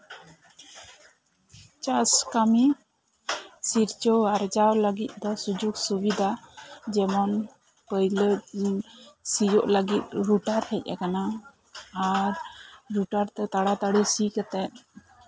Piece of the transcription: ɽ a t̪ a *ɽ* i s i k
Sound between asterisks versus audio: correct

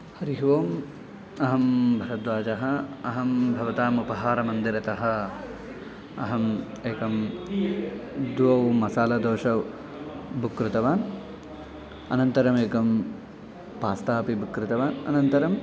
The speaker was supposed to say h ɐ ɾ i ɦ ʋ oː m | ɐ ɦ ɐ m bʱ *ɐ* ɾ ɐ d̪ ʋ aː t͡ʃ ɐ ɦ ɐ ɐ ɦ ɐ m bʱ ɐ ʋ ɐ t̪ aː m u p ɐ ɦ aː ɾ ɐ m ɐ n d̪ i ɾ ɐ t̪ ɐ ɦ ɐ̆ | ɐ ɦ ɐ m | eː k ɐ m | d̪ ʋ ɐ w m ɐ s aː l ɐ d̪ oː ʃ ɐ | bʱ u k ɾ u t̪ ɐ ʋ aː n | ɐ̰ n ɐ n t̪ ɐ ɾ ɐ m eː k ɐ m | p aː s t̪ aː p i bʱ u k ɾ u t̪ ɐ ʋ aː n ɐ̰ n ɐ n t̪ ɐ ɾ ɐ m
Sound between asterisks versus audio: correct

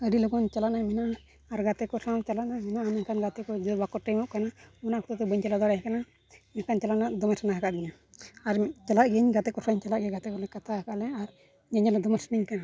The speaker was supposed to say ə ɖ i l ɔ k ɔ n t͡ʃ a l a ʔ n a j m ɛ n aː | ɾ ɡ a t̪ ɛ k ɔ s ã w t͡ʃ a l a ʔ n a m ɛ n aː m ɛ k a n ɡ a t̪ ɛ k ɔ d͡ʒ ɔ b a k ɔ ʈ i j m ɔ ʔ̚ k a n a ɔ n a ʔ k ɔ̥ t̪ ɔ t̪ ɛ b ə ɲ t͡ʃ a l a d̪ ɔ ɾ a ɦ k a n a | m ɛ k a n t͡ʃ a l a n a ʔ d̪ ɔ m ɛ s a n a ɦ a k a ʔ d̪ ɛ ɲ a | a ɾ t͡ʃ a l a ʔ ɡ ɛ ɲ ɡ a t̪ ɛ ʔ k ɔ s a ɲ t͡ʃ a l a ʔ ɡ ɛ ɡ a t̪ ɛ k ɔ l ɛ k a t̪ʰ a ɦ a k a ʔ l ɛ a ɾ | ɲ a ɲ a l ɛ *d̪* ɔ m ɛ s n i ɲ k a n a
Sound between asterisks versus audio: correct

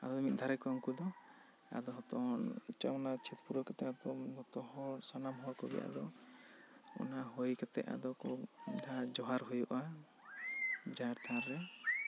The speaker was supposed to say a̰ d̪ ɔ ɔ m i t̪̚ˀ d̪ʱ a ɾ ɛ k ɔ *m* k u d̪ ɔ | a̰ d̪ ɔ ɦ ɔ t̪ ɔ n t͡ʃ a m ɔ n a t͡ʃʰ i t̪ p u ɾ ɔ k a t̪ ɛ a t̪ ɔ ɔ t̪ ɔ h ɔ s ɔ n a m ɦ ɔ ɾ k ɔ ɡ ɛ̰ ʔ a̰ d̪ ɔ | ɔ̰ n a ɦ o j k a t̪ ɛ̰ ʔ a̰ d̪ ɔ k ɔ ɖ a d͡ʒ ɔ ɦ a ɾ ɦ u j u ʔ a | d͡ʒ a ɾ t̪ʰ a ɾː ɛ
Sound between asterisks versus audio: incorrect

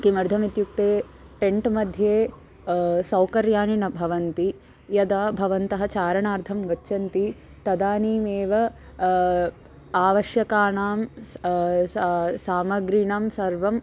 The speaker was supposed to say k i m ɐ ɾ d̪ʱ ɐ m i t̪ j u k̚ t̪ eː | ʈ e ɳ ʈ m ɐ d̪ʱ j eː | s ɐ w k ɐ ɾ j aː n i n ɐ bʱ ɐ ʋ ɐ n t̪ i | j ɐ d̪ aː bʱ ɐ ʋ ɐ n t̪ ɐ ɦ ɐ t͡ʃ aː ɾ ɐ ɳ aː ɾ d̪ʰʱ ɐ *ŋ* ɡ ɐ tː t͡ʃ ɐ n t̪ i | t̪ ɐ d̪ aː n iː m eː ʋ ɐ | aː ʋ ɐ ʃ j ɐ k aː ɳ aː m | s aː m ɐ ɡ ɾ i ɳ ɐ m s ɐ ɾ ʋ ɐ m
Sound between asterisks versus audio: incorrect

